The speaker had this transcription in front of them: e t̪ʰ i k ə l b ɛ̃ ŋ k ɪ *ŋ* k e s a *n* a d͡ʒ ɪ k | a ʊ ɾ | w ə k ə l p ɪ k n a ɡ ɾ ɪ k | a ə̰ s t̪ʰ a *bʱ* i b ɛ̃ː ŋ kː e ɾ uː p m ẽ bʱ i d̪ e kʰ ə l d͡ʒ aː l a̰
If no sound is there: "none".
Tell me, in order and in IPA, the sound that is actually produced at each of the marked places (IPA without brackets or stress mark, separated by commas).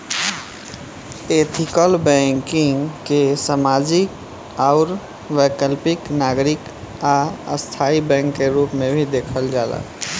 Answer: ŋ, m, none